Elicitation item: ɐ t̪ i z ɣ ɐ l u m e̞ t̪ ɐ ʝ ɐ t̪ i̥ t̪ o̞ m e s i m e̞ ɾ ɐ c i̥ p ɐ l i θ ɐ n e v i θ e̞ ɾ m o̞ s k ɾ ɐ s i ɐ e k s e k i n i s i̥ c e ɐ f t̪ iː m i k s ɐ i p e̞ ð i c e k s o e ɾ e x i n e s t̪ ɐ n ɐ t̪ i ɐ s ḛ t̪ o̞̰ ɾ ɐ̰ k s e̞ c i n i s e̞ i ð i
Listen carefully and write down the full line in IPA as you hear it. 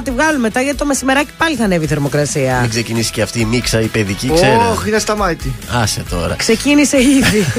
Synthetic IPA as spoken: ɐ t̪ i v ɣ ɐ l u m e̞ t̪ ɐ ʝ ɐ t̪ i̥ t̪ o̞ m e s i m e̞ ɾ ɐ c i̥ p ɐ l i θ ɐ n e v i θ e̞ ɾ m o̞ k ɾ ɐ s i ɐ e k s e c i n i s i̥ c e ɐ f t̪ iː m i k s ɐ i p e̞ ð i c i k s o e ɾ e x i n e s t̪ ɐ m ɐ t̪ i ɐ s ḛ t̪ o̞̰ ɾ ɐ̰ k s e̞ c i n i s e̞ i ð i